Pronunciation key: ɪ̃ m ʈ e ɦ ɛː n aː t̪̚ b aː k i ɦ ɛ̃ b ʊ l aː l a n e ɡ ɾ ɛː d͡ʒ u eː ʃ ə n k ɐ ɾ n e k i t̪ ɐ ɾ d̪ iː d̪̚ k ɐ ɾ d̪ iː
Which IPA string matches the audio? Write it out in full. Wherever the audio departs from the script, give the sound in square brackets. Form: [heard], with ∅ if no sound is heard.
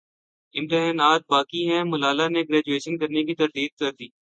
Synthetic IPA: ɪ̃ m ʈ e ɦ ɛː n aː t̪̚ b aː k i ɦ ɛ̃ [m] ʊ l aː l a n e ɡ ɾ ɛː d͡ʒ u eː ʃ ə n k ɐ ɾ n e k i t̪ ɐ ɾ d̪ iː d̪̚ k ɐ ɾ d̪ iː